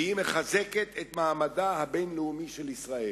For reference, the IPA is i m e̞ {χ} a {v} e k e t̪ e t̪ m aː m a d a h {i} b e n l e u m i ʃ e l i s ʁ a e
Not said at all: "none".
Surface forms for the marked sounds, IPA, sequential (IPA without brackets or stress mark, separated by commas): χ, z, a